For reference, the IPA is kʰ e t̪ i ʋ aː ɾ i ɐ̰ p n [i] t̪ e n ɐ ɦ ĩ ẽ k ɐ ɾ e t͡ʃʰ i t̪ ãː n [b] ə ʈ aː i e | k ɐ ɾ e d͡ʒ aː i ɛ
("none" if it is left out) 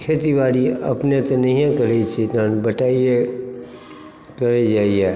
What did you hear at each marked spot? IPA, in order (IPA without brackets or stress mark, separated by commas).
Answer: e, b